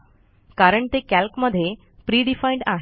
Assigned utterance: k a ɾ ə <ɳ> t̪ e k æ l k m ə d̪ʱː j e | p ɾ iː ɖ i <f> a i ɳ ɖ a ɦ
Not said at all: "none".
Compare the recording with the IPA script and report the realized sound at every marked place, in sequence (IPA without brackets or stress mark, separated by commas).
ɳ, f